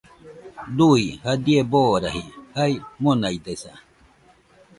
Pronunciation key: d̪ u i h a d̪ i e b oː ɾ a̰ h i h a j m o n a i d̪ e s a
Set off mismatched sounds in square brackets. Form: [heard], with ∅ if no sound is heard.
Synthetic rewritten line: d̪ u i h a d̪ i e b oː ɾ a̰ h i h a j m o n a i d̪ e s a

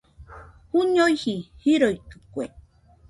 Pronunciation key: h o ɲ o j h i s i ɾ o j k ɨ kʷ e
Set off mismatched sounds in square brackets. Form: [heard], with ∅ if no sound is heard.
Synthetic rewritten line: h [u] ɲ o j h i [h] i ɾ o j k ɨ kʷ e

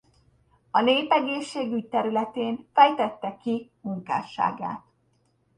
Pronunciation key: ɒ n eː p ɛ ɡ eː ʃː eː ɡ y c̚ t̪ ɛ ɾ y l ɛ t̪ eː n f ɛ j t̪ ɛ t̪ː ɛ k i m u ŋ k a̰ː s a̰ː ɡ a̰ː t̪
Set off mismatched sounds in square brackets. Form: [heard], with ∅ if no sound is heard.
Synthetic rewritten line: ɒ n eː p ɛ ɡ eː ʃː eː ɡ y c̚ t̪ ɛ ɾ y l ɛ t̪ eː n f ɛ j t̪ ɛ t̪ː ɛ k i m u ŋ k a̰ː [ʃ] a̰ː ɡ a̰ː t̪

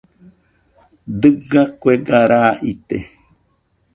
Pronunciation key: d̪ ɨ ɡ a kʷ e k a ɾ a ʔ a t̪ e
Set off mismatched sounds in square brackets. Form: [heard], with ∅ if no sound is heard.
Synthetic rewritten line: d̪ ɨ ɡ a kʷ e [ɡ] a ɾ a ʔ [i] t̪ e

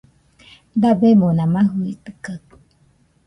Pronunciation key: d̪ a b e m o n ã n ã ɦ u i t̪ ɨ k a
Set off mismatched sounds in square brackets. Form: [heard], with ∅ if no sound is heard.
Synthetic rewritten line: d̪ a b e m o n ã [m] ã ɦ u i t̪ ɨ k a

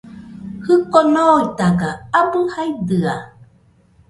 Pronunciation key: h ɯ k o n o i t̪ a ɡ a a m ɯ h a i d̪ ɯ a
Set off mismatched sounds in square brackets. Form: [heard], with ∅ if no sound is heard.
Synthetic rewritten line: h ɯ k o n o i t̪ a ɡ a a [b] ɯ h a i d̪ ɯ a

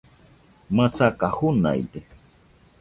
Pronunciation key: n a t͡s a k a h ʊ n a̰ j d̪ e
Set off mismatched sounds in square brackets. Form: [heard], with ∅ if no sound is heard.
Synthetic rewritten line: [m] a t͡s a k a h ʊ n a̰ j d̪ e

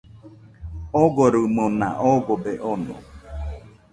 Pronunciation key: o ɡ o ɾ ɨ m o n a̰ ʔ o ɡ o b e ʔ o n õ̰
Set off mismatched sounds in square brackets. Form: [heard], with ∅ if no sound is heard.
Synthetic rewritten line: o ɡ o ɾ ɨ m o n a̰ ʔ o ɡ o b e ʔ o n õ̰

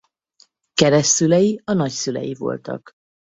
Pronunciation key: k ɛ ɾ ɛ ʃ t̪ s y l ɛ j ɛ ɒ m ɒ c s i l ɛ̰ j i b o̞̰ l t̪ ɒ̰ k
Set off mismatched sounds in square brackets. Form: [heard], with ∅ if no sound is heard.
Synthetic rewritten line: k ɛ ɾ ɛ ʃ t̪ s y l ɛ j [i] ɒ [n] ɒ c s [y] l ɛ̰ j i [v] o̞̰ l t̪ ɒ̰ k

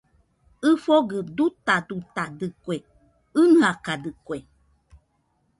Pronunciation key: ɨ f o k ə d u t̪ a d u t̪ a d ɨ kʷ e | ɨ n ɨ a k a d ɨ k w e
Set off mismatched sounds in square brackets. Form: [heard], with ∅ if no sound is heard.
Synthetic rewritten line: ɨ f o [ɡ] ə d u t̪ a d u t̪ a d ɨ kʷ e | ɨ n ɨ a k a d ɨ k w e

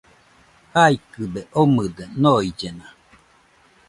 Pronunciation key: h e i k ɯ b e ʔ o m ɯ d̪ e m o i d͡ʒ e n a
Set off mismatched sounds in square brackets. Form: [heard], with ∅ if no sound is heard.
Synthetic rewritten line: h [a] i k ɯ b e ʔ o m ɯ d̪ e [n] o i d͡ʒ e n a

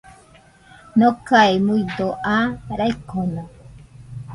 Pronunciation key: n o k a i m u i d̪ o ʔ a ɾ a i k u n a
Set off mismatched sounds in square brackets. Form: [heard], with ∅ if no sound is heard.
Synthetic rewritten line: n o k a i m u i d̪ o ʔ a ɾ a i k [o] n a

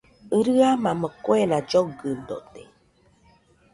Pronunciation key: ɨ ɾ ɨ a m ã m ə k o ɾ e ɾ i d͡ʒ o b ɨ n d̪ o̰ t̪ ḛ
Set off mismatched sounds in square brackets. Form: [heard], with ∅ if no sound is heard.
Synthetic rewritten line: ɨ ɾ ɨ a m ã m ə k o [∅] e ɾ [a] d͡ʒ o [ɡ] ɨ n d̪ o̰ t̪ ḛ

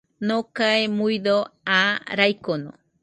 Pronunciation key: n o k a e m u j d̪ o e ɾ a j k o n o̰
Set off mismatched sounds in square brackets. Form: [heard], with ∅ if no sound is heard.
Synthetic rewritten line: n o k a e m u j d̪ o [a] ɾ a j k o n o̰

